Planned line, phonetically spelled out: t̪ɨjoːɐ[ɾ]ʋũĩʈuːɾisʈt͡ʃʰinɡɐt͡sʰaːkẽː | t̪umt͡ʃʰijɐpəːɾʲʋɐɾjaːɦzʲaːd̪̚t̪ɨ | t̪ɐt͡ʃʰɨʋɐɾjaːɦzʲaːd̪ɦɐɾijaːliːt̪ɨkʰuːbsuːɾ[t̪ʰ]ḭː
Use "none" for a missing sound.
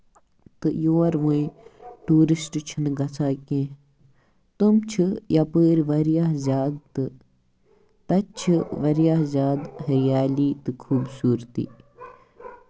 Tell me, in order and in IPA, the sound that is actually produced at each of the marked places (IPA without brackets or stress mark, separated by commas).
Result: ɾ, t̪